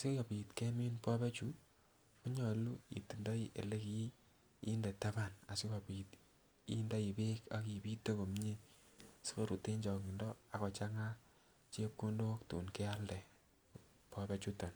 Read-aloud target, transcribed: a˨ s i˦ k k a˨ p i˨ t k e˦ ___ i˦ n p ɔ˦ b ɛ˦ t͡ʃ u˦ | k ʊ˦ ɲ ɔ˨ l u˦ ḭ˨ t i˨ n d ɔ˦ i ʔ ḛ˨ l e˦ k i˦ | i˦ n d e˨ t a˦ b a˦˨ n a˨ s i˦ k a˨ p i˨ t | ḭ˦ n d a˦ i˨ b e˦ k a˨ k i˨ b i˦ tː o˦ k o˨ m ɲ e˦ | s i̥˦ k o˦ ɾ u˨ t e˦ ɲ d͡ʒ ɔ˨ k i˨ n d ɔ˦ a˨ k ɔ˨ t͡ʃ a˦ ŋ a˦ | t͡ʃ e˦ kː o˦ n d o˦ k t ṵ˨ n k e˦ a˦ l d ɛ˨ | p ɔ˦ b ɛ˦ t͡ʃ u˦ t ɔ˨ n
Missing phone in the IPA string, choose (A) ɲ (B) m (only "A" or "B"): B